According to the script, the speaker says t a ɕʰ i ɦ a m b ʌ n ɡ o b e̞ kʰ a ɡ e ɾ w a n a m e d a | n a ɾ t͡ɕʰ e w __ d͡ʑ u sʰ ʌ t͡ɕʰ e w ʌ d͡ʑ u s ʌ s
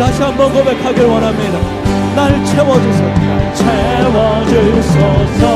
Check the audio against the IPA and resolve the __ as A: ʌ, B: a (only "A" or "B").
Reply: A